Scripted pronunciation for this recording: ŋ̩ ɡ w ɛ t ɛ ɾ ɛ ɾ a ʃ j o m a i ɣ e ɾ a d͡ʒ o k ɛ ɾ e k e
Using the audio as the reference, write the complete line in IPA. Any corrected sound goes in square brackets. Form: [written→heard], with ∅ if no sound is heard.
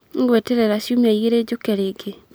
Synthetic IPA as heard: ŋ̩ ɡ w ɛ t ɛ ɾ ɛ ɾ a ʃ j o m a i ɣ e ɾ [a→e] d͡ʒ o k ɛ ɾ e [k→ɡ] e